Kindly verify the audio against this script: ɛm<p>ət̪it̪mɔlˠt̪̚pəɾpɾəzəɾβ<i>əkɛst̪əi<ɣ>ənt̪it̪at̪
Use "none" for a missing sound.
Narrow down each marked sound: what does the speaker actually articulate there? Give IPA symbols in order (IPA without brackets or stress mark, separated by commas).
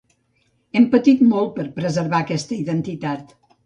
p, a, ð